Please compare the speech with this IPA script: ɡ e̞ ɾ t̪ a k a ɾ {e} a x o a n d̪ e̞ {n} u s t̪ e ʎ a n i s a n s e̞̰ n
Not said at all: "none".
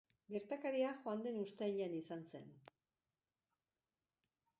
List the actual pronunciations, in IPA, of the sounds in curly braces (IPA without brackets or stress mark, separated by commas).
i, n